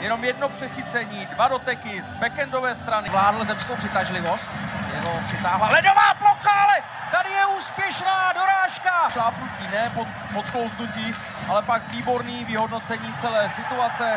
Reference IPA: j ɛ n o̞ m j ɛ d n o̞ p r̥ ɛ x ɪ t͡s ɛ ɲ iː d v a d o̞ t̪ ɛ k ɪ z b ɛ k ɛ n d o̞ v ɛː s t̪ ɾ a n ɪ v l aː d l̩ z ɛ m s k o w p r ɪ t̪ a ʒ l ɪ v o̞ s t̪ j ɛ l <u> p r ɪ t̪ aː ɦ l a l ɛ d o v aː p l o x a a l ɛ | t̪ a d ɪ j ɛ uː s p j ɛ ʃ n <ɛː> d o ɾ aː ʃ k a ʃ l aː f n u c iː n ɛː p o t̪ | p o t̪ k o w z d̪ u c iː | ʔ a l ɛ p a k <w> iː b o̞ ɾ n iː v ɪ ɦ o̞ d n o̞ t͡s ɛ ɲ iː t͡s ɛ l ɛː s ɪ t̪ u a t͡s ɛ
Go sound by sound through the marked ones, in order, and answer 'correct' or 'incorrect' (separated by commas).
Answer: incorrect, incorrect, incorrect